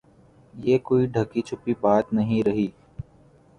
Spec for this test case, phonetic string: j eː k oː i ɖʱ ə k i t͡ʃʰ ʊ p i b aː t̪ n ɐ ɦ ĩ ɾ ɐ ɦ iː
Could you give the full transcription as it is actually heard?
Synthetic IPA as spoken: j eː k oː i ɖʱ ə k i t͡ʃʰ ʊ p i b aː t̪ n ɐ ɦ ĩ ɾ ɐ ɦ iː